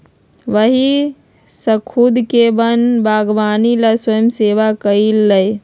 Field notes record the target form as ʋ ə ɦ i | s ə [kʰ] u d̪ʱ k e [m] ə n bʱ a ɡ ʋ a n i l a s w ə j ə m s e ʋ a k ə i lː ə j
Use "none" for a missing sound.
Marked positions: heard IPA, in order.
kʰ, b

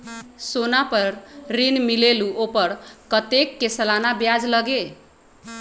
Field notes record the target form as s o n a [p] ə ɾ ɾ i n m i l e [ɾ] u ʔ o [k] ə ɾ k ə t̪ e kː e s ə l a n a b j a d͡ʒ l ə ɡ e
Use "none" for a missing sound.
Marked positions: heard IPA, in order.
p, l, p

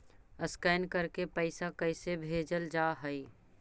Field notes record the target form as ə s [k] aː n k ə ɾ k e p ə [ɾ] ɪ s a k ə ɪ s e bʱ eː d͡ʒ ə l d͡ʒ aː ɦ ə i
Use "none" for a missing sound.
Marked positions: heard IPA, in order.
k, none

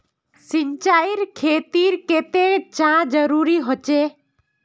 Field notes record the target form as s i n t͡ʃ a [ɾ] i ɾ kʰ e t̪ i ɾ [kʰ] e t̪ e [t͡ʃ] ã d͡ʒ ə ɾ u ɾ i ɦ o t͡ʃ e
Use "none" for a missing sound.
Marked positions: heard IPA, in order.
none, k, t͡ʃ

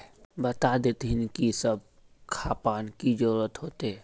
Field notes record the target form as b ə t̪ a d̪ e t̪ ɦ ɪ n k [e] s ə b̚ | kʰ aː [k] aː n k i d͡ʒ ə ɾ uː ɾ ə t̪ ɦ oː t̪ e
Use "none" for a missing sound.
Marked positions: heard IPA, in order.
i, p

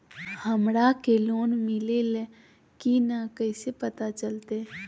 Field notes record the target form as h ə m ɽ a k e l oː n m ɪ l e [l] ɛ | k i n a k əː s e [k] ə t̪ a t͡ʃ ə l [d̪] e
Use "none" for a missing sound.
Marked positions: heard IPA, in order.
l, p, t̪

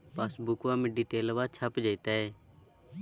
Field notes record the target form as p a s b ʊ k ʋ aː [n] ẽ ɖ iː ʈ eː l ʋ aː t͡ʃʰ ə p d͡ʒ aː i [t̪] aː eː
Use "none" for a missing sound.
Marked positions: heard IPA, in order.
m, t̪

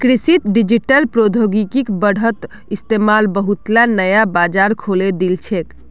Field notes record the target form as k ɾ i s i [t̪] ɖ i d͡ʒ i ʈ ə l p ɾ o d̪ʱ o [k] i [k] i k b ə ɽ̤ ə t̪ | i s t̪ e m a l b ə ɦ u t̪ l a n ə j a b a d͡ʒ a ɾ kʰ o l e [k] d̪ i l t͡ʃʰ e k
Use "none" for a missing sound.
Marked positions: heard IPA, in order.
t̪, ɡ, k, none

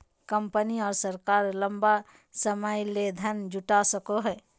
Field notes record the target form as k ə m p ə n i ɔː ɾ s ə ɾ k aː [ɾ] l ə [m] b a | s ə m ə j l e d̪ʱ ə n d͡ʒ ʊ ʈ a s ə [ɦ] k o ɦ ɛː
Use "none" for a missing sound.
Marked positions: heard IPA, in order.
ɾ, m, none

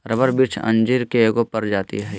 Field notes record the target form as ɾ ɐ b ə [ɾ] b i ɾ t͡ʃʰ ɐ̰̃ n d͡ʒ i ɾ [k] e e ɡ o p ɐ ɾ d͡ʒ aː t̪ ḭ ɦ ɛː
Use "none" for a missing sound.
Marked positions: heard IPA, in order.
ɾ, k

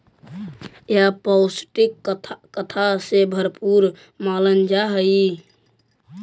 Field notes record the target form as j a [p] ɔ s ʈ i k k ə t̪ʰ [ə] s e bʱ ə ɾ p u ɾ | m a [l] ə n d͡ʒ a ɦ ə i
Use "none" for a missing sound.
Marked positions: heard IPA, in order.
p, a, l

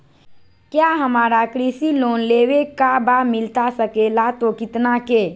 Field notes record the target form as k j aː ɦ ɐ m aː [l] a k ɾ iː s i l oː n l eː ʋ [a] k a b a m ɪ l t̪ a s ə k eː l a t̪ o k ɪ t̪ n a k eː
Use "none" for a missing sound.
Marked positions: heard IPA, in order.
ɾ, e

